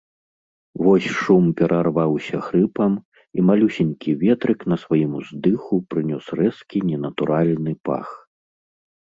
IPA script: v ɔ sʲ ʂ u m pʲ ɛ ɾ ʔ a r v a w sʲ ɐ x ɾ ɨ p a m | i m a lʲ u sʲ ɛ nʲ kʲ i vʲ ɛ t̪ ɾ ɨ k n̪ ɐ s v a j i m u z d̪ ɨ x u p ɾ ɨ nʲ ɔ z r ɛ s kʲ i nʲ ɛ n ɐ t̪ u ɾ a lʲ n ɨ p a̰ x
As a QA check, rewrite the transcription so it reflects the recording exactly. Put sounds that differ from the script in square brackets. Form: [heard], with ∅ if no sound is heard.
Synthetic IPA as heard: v ɔ sʲ ʂ u m pʲ ɛ ɾ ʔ a r v a w sʲ ɐ x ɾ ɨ p [ɐ] m | i m a lʲ u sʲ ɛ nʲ kʲ i vʲ ɛ t̪ ɾ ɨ k n̪ ɐ s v a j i m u z d̪ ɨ x u p ɾ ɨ nʲ ɔ [s] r ɛ s kʲ i nʲ ɛ n ɐ t̪ u ɾ a lʲ n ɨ p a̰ x